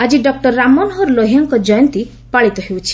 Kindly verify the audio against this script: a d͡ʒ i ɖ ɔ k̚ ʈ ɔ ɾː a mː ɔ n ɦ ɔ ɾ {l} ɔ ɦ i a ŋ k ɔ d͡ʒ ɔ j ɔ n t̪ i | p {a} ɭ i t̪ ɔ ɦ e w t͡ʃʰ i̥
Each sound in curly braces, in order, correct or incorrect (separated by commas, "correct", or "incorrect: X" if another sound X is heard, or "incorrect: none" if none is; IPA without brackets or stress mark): correct, correct